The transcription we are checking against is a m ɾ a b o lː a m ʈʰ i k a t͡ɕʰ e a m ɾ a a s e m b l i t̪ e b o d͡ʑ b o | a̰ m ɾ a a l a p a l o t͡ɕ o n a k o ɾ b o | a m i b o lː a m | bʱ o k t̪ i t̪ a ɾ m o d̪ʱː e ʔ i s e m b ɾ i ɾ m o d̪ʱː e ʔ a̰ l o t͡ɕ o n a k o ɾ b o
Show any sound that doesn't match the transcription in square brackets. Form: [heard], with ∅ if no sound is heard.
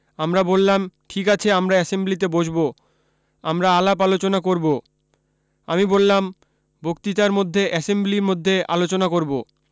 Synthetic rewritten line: a m ɾ a b o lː a m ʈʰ i k a t͡ɕʰ e a m ɾ a [ɛ] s e m b l i t̪ e b o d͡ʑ b o | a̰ m ɾ a a l a p a l o t͡ɕ o n a k o ɾ b o | a m i b o lː a m | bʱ o k t̪ i t̪ a ɾ m o d̪ʱː e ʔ [ɛ] s e m b [l] i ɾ m o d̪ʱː e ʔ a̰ l o t͡ɕ o n a k o ɾ b o